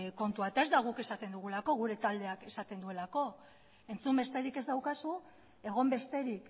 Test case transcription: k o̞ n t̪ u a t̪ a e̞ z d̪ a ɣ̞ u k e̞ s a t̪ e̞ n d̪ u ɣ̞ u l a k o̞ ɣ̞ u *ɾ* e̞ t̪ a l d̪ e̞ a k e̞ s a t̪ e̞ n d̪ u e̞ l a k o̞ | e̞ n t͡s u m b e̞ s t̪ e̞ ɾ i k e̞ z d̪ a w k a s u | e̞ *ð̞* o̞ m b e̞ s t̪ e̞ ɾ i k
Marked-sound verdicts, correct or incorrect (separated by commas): correct, incorrect